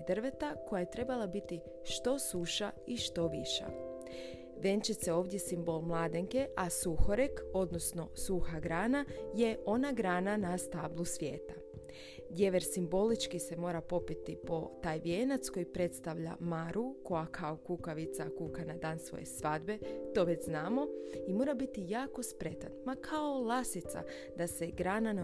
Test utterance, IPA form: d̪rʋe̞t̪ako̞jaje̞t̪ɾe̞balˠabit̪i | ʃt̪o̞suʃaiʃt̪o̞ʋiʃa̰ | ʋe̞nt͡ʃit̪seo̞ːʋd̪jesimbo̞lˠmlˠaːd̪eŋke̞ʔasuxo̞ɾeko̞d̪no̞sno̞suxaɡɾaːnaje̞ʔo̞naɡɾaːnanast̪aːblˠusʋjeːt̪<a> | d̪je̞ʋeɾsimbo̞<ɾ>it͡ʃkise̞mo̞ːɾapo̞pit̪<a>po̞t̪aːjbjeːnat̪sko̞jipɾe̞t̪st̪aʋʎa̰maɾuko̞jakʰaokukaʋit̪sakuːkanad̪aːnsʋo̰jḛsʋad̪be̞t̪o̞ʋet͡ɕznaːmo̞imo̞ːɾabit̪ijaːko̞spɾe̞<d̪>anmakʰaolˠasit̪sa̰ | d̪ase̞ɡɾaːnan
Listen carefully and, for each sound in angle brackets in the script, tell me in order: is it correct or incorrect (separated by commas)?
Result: correct, incorrect, incorrect, incorrect